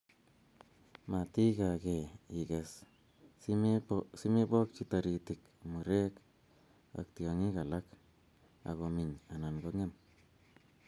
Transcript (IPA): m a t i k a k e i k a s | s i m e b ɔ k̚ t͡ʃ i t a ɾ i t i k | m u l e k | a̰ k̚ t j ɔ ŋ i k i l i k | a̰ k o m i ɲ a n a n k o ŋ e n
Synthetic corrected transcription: m a t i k a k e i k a s | s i m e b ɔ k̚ t͡ʃ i t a ɾ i t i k | m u ɾ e k | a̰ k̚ t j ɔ ŋ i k a l a k | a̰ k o m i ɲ a n a n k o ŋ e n